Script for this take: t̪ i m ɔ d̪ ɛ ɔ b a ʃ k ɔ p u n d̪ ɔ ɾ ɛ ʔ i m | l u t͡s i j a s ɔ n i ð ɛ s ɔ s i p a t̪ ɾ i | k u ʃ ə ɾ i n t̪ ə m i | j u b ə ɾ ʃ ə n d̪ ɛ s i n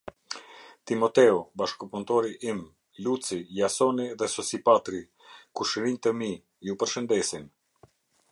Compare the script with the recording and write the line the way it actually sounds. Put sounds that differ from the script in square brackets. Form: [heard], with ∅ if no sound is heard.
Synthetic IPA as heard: t̪ i m ɔ [t̪] ɛ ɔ b a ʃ k ɔ p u n [t̪] ɔ ɾ [i] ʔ i m | l u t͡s i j a s ɔ n i ð ɛ s ɔ s i p a t̪ ɾ i | k u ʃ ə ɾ i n t̪ ə m i | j u [p] ə ɾ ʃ ə n d̪ ɛ s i n